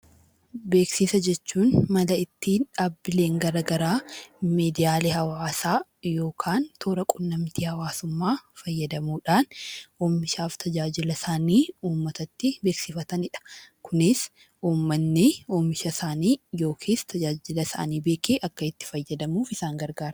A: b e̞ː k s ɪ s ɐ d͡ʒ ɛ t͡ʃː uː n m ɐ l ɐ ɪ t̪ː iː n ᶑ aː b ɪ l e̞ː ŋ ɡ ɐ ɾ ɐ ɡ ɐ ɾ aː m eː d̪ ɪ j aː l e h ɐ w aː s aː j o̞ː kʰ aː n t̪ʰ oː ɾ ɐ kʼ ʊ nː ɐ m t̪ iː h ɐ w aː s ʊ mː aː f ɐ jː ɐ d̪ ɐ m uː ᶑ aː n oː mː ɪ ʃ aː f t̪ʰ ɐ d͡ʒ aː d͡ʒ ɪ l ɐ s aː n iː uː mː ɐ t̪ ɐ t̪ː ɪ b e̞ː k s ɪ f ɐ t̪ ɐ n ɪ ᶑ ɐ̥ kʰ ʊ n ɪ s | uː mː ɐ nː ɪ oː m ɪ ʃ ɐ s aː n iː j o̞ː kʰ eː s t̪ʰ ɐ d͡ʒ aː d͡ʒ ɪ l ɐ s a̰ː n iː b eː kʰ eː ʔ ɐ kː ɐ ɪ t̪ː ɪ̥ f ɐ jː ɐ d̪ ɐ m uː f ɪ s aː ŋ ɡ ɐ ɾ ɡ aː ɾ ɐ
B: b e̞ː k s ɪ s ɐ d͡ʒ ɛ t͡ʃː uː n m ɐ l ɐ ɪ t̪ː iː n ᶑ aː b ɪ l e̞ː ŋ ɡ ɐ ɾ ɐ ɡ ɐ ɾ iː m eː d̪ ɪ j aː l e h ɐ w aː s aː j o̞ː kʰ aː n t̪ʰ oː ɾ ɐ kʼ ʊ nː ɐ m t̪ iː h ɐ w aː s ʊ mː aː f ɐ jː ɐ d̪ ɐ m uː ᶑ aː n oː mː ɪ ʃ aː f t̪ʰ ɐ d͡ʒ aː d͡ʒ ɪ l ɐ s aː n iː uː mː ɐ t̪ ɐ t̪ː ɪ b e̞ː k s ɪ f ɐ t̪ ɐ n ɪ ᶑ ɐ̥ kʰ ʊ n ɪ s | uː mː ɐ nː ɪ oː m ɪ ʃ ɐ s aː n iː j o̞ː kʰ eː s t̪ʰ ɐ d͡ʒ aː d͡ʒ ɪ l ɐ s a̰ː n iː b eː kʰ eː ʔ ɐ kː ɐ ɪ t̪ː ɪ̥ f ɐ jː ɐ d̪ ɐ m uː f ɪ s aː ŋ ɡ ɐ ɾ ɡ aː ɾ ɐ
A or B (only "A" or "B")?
A